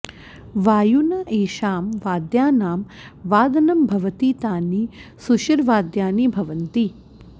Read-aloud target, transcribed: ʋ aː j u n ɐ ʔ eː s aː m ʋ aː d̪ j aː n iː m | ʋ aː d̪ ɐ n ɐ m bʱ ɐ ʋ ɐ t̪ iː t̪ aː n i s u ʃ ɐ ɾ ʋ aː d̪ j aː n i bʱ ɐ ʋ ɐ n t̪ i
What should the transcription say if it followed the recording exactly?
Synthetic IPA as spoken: ʋ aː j u n ɐ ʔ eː ʃ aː m ʋ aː d̪ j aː n aː m | ʋ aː d̪ ɐ n ɐ m bʱ ɐ ʋ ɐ t̪ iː t̪ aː n i s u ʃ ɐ ɾ ʋ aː d̪ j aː n i bʱ ɐ ʋ ɐ n t̪ i